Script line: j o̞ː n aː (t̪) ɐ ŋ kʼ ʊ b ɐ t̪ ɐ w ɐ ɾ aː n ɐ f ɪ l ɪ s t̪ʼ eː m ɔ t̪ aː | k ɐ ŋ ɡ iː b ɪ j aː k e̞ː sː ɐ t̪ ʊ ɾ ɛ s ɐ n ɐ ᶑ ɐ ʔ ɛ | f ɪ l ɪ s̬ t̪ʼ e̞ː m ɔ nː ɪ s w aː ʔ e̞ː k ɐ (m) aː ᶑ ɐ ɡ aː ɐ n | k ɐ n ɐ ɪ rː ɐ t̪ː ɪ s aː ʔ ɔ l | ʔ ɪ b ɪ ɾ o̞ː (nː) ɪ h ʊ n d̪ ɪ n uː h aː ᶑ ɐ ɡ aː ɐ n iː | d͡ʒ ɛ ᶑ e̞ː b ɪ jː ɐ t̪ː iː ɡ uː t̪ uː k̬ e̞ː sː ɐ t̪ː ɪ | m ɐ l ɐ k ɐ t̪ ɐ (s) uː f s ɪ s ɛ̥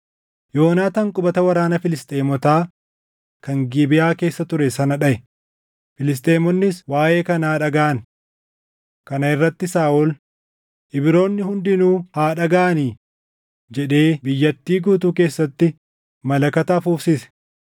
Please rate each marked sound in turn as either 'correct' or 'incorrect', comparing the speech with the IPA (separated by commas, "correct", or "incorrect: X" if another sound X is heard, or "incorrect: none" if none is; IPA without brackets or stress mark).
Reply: correct, incorrect: n, correct, incorrect: f